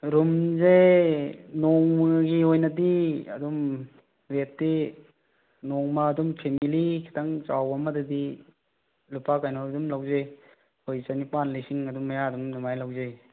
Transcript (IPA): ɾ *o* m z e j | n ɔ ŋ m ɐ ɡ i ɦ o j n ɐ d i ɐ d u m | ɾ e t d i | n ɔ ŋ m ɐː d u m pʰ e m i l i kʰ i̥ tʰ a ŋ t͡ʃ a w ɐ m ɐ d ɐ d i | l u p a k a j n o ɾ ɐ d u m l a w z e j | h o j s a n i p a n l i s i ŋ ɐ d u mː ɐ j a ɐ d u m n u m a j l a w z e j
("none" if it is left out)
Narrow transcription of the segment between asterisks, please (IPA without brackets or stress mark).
u